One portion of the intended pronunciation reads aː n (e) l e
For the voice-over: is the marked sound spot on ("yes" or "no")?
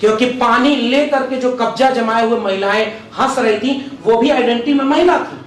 no